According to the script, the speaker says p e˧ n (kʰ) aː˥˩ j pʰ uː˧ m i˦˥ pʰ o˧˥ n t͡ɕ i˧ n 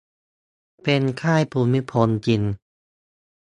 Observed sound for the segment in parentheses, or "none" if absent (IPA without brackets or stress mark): kʰ